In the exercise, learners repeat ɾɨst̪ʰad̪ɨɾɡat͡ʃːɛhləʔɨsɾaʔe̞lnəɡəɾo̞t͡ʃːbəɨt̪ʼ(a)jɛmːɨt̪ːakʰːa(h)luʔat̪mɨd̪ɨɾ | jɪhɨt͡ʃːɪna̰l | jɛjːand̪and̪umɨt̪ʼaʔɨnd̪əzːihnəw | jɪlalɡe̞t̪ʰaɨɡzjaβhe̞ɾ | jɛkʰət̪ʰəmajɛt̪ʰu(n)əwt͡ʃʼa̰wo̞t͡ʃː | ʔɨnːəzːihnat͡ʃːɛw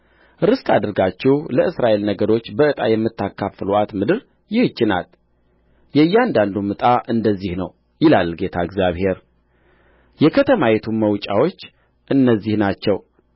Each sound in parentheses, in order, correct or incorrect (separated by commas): correct, incorrect, incorrect